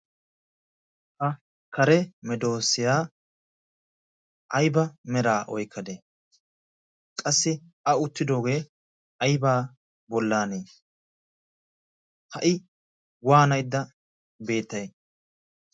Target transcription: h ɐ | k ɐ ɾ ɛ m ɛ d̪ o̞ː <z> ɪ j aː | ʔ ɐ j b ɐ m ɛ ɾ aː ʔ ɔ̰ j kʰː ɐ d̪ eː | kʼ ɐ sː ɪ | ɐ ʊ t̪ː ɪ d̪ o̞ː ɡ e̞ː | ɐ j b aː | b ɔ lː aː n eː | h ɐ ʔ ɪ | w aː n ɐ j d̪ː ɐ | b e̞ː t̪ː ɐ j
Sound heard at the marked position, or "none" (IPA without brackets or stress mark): s